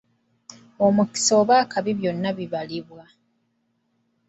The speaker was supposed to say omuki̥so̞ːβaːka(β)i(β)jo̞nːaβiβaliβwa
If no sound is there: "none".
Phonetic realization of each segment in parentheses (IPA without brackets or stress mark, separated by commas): β, β